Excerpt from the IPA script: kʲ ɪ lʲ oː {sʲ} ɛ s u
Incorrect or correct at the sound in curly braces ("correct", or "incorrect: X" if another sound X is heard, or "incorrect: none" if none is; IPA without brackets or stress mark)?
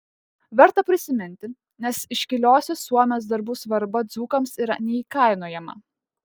correct